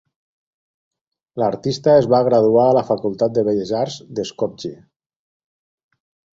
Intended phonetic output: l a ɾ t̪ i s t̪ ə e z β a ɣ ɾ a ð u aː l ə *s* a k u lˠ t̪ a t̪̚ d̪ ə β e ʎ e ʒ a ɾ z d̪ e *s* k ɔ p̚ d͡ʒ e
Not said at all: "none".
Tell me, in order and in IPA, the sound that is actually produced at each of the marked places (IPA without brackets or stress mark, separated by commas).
f, s